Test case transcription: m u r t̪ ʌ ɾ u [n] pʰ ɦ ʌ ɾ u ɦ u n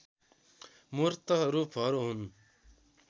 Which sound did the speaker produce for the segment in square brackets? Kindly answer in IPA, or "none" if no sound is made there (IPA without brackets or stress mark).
none